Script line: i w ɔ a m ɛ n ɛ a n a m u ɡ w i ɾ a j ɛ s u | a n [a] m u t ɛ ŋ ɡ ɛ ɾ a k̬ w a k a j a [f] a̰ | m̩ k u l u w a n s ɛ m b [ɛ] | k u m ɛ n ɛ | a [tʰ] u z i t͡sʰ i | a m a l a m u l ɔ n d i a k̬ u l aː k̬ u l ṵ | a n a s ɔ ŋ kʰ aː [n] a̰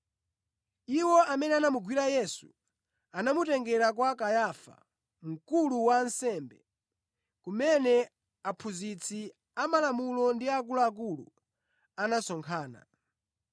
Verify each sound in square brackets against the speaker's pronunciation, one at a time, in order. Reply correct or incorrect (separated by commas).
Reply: correct, correct, correct, incorrect, correct